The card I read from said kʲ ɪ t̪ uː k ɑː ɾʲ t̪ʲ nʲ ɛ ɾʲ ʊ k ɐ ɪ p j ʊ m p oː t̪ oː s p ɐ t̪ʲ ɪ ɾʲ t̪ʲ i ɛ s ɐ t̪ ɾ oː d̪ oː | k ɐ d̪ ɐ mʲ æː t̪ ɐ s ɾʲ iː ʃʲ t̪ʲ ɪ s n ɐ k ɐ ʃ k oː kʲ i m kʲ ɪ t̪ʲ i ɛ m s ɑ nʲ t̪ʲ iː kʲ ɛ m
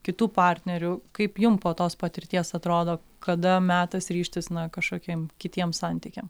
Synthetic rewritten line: kʲ ɪ t̪ uː p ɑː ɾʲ t̪ʲ nʲ ɛ ɾʲ ʊ k ɐ ɪ p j ʊ m p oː t̪ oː s p ɐ t̪ʲ ɪ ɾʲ t̪ʲ i ɛ s ɐ t̪ ɾ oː d̪ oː | k ɐ d̪ ɐ mʲ æː t̪ ɐ s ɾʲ iː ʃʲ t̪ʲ ɪ s n ɐ k ɐ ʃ k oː kʲ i m kʲ ɪ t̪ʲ i ɛ m s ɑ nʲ t̪ʲ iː kʲ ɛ m